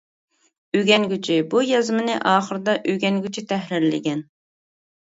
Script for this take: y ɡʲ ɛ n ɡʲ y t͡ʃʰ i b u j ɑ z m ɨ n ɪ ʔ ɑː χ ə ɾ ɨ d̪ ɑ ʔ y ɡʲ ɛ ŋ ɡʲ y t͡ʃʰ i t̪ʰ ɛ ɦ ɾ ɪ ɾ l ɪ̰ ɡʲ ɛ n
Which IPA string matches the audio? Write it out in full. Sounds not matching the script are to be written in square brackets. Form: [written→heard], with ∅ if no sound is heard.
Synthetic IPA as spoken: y ɡʲ ɛ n ɡʲ y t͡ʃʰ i b u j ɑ z m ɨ n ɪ ʔ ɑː χ ə ɾ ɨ d̪ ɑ ʔ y ɡʲ ɛ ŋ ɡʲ y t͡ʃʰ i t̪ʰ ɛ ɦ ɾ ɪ ɾ l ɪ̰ ɡʲ ɛ n